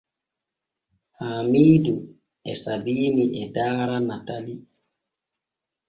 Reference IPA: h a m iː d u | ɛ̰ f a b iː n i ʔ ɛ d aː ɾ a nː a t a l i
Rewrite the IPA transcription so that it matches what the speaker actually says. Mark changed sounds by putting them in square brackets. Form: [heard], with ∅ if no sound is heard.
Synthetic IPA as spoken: h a m iː d u | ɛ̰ [s] a b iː n i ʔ ɛ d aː ɾ a [n] a t a l i

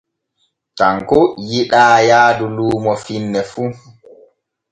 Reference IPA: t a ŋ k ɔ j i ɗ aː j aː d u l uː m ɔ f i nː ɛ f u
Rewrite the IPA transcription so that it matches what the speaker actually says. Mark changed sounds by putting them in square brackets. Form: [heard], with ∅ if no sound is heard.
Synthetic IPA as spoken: t a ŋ k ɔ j i ɗ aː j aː d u l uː m ɔ f i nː ɛ f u

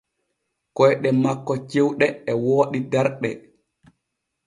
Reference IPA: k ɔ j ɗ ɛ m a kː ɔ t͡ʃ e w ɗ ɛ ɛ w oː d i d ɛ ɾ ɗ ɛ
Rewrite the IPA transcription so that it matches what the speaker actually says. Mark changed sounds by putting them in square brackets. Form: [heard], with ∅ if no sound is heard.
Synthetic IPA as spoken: k ɔ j ɗ ɛ m a kː ɔ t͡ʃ e w ɗ ɛ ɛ w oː [ɗ] i d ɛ ɾ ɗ ɛ

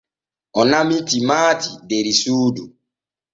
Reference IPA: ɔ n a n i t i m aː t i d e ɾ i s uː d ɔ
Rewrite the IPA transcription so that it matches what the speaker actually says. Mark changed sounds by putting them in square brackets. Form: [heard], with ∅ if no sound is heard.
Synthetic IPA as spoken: ɔ n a [m] i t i m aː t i d e ɾ i s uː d [u]

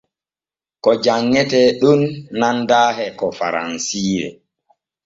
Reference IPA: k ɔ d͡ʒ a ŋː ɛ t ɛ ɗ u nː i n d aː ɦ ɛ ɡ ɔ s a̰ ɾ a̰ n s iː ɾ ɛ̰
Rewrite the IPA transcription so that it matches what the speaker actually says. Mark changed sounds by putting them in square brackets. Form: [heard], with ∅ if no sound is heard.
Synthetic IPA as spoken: k ɔ d͡ʒ a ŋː ɛ t ɛ ɗ u nː [a] n d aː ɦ ɛ [k] ɔ [f] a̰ ɾ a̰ n s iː ɾ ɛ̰

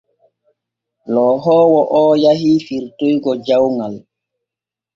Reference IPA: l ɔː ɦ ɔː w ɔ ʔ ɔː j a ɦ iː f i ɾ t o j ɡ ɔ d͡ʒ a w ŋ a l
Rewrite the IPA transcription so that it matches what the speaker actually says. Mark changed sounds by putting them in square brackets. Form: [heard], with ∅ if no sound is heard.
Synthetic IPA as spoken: l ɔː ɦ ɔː w ɔ ʔ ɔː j a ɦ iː f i ɾ t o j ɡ ɔ d͡ʒ a w ŋ a l

